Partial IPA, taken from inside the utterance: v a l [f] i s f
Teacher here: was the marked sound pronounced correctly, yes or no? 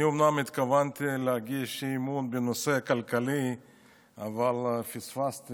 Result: yes